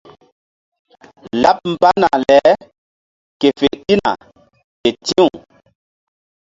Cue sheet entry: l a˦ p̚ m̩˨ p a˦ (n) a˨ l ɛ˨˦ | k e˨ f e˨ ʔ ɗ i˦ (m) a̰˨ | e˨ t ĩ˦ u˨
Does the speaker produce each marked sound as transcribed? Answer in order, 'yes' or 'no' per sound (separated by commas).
yes, no